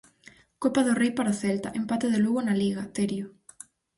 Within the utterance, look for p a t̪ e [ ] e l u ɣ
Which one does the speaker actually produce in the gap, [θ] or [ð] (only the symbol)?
ð